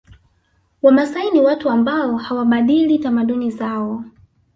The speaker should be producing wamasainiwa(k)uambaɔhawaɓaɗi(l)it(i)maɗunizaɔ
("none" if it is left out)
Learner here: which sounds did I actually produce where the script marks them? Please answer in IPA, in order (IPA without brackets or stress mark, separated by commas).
t, l, a